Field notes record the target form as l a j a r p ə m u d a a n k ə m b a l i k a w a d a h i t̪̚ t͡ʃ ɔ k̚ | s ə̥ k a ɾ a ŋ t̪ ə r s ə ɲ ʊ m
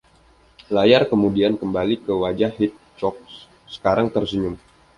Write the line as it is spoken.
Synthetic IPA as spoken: l a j a r k ə m u d i a n k ə m b a l i k ə w a d͡ʒ a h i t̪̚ t͡ʃ ɔ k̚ | s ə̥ k a ɾ a ŋ t̪ ə r s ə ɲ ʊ m